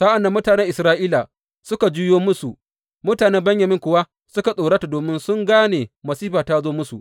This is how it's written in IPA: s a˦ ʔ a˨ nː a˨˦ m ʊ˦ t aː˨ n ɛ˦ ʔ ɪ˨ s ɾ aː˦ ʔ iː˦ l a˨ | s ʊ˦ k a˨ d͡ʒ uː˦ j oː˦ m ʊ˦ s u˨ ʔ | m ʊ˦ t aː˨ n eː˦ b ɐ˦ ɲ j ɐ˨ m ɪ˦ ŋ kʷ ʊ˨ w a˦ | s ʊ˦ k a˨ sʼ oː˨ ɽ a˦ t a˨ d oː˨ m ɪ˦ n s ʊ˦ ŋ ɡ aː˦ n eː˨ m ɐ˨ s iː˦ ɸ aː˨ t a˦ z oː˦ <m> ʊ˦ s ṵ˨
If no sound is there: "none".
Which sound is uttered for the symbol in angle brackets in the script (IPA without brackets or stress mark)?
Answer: m